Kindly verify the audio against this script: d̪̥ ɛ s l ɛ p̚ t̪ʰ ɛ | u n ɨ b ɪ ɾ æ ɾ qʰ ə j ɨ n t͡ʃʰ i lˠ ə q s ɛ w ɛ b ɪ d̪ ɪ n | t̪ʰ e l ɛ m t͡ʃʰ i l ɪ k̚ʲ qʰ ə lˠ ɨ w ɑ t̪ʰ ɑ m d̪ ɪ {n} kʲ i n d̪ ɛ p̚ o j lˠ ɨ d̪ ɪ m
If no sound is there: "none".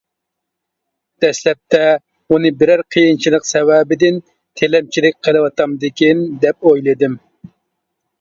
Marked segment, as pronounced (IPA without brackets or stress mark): none